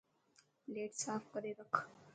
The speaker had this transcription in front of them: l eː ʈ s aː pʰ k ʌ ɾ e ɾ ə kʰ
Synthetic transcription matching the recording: l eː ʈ s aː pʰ k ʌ ɾ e ɾ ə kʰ